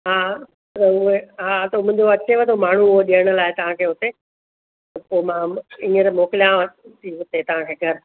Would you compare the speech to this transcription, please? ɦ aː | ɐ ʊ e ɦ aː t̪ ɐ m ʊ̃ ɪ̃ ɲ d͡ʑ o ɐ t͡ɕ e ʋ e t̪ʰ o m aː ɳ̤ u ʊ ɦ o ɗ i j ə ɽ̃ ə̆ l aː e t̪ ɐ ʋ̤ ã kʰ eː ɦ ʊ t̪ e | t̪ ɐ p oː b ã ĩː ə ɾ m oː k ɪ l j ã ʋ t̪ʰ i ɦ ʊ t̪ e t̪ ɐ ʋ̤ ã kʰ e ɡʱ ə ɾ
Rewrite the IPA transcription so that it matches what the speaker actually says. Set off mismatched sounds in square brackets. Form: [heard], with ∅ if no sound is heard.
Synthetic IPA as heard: ɦ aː | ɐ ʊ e ɦ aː t̪ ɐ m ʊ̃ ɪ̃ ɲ d͡ʑ o ɐ t͡ɕ e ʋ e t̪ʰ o m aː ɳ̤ u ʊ ɦ o ɗ i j ə ɽ̃ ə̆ l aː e t̪ ɐ ʋ̤ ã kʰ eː ɦ ʊ t̪ e | t̪ ɐ p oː [m] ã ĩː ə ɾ m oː k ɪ l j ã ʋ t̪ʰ i ɦ ʊ t̪ e t̪ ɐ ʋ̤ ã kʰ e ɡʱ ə ɾ